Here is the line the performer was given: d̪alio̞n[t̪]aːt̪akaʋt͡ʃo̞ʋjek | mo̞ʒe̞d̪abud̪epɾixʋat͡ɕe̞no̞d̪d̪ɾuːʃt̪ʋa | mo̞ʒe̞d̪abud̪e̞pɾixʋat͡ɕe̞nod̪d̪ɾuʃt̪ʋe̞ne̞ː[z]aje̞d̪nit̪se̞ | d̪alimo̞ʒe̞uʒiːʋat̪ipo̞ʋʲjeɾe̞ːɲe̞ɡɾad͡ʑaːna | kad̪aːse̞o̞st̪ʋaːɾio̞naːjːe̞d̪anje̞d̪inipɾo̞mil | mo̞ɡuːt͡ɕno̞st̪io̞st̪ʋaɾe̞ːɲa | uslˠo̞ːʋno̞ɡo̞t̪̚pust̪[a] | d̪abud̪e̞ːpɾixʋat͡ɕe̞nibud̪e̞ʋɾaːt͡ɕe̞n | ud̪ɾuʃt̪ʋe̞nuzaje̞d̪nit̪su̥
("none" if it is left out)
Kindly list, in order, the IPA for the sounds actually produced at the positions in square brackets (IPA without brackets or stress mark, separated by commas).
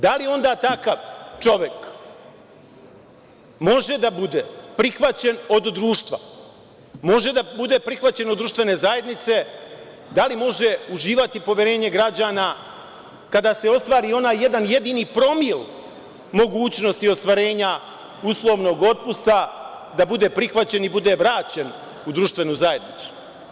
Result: d̪, z, a